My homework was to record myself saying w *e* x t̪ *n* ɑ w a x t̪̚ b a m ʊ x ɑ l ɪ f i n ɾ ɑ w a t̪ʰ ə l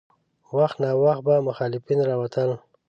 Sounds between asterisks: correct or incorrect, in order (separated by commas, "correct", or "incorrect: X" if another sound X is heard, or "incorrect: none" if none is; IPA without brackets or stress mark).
incorrect: a, correct